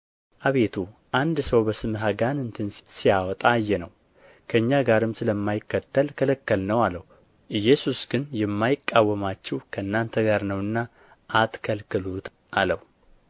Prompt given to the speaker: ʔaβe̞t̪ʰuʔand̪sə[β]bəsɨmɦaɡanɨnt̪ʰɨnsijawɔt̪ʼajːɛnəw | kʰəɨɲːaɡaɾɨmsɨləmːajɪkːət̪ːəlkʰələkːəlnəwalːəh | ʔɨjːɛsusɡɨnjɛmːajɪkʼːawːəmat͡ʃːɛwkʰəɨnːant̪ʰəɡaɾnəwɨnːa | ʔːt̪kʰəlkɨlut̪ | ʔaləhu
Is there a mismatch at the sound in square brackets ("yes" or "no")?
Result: yes